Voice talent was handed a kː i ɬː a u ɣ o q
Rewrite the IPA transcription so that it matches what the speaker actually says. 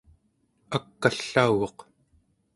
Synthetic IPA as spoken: a kː a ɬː a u ɣ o q